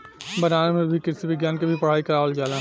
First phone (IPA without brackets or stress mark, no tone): b